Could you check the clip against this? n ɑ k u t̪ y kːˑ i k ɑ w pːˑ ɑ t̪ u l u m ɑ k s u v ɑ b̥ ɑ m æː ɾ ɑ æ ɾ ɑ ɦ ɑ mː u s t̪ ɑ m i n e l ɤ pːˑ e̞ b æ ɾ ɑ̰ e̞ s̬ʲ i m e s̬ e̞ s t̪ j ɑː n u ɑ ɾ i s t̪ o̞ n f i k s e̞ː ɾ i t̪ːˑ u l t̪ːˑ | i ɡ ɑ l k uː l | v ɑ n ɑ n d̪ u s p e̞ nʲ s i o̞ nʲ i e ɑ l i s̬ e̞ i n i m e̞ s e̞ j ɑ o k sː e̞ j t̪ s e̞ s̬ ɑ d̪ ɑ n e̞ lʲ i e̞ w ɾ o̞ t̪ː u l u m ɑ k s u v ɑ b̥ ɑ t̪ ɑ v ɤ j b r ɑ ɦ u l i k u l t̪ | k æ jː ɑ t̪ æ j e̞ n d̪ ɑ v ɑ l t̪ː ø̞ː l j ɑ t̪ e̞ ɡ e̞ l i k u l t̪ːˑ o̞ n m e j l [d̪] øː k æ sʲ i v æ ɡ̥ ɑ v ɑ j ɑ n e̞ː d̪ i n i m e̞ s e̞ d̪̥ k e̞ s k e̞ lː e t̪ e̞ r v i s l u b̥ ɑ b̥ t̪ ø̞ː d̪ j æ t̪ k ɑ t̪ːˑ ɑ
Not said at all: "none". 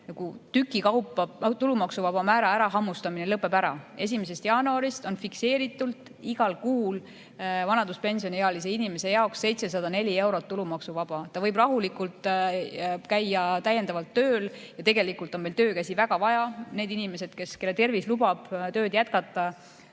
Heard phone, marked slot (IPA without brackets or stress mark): t̪